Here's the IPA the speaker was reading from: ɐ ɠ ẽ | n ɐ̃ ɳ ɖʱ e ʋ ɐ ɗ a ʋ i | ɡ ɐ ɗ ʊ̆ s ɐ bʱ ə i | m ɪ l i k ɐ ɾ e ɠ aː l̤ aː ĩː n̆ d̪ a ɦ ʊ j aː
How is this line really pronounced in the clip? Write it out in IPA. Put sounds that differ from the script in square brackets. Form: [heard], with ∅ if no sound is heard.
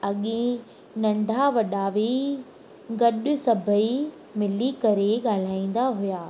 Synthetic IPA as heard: ɐ ɠ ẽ | n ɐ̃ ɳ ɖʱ [a] ʋ ɐ ɗ a ʋ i | ɡ ɐ ɗ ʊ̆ s ɐ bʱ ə i | m ɪ l i k ɐ ɾ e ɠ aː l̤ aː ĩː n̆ d̪ a ɦ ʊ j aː